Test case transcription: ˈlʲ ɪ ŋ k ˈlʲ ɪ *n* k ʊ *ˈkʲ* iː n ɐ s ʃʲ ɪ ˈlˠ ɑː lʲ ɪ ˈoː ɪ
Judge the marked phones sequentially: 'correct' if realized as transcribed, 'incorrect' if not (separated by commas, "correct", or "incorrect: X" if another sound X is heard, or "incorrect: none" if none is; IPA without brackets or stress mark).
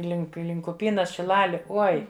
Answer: incorrect: ŋ, incorrect: pʲ